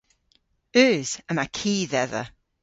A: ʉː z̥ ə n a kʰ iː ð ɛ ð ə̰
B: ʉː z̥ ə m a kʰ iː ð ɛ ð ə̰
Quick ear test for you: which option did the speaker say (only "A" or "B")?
B